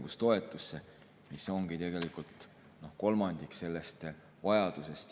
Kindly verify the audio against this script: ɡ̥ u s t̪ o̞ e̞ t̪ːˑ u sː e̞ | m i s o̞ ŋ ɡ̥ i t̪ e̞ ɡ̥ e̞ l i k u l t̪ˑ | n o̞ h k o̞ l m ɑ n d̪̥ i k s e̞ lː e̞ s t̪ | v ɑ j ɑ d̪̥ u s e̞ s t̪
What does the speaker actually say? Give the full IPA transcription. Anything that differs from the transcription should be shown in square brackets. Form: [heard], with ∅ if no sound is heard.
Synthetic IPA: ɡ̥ u s t̪ o̞ e̞ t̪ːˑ u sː e̞ | m i s o̞ ŋ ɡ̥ i t̪ e̞ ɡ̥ e̞ l i k u l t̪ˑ | n o̞ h k o̞ l m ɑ n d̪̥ i k s e̞ lː e̞ s t̪ | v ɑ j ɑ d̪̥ u s e̞ s t̪